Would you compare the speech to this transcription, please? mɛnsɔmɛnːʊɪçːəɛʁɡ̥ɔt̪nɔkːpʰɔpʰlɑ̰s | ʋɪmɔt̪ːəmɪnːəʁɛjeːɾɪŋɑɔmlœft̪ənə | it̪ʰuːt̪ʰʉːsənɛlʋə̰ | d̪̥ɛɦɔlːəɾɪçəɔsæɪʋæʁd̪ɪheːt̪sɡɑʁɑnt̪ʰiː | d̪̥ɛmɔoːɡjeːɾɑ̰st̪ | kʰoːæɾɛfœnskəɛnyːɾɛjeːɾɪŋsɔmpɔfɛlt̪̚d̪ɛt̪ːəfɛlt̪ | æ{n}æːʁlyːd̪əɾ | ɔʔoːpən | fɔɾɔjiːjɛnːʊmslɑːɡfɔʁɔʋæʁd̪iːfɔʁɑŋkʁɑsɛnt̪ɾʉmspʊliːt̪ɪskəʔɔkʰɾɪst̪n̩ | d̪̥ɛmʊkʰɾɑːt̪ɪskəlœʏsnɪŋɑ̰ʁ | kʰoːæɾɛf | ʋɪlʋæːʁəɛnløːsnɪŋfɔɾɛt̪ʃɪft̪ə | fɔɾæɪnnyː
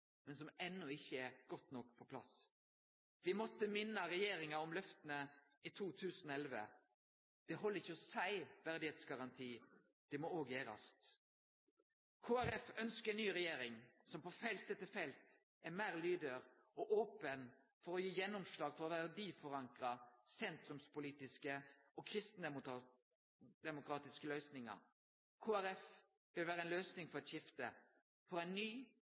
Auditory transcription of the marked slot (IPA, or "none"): m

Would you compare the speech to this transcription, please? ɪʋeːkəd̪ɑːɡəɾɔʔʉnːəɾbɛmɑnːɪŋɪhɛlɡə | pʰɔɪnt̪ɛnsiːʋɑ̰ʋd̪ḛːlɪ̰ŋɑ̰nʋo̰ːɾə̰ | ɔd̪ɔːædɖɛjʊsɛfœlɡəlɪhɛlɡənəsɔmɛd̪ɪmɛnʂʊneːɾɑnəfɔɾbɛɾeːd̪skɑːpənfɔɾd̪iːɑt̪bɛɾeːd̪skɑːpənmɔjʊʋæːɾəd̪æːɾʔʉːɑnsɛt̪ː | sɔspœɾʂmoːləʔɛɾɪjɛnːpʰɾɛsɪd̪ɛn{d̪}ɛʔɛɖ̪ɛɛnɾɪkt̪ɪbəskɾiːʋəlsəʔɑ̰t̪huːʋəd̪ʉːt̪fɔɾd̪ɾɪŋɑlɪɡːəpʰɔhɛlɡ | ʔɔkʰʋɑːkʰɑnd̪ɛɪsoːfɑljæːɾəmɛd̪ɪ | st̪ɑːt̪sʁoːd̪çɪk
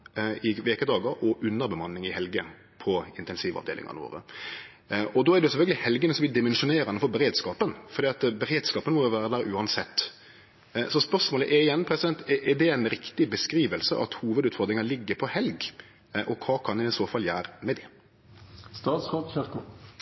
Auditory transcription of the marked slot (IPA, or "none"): t̪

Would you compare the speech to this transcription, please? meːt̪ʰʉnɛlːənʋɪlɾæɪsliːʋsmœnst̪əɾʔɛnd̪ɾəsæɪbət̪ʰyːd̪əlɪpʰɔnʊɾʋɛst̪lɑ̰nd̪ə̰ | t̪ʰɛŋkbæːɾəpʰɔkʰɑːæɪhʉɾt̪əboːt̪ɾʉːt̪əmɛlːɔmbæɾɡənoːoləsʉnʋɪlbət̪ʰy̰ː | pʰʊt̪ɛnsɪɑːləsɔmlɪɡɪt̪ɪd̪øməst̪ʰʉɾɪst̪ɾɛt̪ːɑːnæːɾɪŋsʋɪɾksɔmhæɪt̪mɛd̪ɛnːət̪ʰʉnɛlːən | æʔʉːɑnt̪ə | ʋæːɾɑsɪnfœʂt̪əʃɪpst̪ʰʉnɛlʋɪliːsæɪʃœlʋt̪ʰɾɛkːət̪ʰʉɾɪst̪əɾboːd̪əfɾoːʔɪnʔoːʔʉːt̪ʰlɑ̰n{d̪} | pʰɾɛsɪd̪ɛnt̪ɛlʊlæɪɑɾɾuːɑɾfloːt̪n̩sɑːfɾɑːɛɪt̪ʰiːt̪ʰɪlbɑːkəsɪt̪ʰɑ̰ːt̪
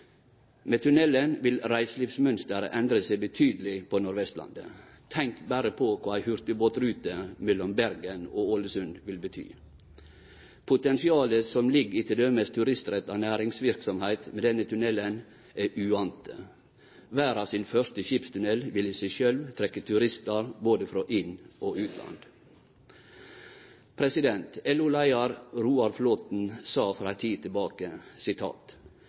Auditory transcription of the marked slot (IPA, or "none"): d̪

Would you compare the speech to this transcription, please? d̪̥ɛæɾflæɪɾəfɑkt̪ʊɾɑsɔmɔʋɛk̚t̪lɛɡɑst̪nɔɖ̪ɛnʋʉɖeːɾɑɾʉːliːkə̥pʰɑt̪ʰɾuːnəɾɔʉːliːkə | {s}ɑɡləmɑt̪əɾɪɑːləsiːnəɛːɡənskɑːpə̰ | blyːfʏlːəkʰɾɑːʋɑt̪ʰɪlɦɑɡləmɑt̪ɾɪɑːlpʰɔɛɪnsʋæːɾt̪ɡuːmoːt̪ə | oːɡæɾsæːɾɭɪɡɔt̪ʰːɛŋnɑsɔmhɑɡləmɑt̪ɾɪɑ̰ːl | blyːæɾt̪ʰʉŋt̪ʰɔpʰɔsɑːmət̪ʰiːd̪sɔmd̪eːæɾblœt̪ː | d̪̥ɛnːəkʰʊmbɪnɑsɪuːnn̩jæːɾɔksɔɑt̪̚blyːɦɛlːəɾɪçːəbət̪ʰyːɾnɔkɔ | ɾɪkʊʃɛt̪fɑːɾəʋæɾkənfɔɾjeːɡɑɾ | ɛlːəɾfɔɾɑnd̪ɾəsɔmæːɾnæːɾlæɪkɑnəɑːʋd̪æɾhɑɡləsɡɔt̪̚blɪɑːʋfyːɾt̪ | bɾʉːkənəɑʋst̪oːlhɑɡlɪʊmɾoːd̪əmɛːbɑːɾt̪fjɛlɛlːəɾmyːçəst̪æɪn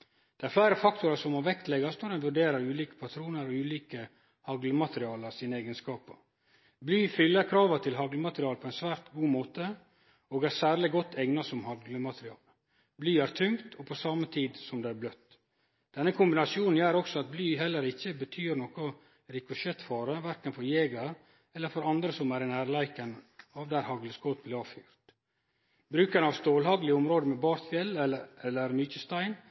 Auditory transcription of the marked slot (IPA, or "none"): h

